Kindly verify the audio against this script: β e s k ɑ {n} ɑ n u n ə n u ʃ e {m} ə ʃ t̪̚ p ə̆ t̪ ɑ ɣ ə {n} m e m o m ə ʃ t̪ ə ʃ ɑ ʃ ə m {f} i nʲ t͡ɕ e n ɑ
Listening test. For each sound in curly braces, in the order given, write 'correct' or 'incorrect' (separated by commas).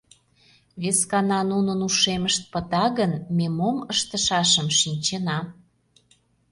correct, correct, correct, incorrect